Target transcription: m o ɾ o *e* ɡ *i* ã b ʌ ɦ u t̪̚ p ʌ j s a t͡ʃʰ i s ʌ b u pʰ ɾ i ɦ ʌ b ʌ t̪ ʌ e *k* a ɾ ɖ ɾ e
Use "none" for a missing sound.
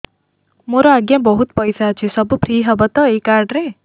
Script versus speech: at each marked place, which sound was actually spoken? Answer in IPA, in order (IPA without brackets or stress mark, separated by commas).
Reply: a, j, k